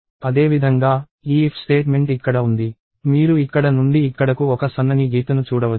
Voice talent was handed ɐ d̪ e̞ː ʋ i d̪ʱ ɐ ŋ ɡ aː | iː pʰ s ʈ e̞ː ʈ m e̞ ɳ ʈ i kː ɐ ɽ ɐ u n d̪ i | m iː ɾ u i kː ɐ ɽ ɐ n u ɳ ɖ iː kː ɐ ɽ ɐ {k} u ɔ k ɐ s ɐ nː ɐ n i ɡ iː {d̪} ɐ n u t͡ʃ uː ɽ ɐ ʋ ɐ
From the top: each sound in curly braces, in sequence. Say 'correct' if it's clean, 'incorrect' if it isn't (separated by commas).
correct, incorrect